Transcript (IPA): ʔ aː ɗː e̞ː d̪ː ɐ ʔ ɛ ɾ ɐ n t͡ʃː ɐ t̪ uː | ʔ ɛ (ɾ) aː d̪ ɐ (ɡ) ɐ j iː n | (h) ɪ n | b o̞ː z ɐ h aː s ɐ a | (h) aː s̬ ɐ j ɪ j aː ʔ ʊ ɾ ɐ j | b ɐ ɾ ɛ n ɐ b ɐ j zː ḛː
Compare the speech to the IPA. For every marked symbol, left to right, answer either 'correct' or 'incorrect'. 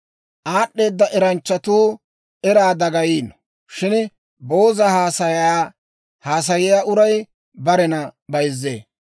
correct, correct, incorrect, correct

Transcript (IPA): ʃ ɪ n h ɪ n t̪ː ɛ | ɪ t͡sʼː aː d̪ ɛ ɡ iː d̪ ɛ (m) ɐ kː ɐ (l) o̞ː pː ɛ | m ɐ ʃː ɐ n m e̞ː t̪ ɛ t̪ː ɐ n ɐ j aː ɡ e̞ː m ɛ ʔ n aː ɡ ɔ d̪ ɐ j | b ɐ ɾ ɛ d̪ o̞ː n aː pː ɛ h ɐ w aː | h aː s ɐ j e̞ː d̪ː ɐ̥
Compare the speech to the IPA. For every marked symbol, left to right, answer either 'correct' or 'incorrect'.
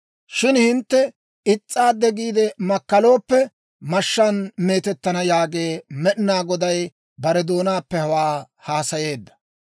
correct, correct

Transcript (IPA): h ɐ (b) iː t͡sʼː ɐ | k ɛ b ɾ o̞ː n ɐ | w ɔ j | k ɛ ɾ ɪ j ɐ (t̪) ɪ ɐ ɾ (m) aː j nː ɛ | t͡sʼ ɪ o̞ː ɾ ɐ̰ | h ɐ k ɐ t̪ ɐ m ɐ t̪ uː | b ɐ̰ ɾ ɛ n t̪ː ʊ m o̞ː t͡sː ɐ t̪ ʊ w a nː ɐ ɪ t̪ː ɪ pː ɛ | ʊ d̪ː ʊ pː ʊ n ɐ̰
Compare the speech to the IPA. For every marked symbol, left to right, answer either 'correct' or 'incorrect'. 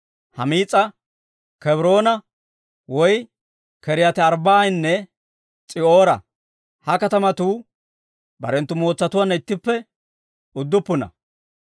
incorrect, correct, incorrect

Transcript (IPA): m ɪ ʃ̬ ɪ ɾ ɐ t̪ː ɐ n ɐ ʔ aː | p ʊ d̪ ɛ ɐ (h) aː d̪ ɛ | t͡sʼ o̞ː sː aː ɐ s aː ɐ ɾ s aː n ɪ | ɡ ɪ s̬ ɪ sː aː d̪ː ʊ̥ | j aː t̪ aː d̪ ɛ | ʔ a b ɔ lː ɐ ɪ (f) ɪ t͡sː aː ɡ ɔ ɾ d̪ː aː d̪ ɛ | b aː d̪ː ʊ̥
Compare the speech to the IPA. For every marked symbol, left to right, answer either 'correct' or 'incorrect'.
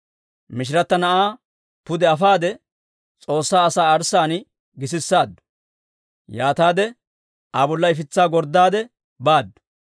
incorrect, correct

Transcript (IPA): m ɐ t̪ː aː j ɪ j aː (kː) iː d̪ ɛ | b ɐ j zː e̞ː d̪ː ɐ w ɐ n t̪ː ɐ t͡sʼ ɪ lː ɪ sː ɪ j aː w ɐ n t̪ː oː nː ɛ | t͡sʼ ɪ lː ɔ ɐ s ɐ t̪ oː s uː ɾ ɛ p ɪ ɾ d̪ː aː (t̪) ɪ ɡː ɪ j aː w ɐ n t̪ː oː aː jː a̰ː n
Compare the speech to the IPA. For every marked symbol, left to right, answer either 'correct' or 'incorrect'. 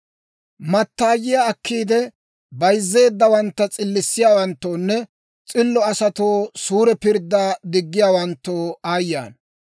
correct, incorrect

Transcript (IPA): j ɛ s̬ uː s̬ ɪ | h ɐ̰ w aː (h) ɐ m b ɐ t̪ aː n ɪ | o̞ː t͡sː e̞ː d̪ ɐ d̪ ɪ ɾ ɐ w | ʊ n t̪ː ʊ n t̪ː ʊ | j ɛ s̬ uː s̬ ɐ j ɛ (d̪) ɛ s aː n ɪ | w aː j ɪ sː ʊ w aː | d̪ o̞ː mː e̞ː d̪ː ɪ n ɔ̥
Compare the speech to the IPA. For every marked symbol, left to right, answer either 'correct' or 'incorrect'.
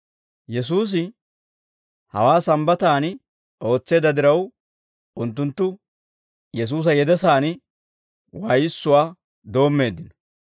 incorrect, correct

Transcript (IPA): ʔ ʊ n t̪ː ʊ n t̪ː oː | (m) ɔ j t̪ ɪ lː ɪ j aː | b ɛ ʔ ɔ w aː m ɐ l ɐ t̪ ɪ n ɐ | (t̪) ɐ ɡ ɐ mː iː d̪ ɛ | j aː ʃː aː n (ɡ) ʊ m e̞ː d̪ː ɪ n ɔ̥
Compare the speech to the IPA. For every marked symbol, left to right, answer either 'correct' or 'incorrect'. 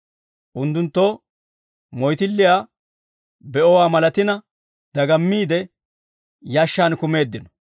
correct, incorrect, incorrect

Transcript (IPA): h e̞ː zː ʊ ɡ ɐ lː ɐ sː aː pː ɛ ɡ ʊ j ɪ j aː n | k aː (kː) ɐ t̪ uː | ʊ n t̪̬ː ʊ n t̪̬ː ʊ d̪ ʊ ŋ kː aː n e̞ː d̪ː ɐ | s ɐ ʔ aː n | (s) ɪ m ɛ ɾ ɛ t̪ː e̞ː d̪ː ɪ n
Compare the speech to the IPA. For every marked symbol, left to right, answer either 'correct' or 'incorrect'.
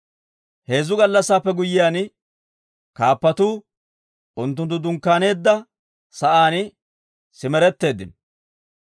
incorrect, correct

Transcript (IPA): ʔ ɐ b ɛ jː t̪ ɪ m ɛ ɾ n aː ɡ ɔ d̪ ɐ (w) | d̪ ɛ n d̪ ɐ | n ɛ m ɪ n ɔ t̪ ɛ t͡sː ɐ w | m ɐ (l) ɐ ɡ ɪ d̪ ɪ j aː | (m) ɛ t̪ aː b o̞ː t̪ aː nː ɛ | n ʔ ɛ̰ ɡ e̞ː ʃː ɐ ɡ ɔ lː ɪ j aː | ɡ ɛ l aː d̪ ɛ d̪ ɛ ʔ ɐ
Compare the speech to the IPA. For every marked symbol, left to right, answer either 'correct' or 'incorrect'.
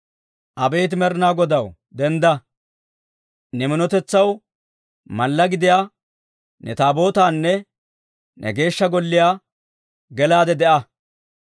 correct, incorrect, incorrect

